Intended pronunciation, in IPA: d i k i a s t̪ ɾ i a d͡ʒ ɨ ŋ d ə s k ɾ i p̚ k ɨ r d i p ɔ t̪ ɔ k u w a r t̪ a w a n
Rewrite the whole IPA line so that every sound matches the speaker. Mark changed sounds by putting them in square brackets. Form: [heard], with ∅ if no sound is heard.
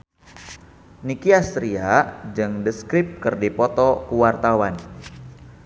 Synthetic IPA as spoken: [n] i k i a s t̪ ɾ i a d͡ʒ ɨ ŋ d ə s k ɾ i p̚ k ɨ r d i p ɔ t̪ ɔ k u w a r t̪ a w a n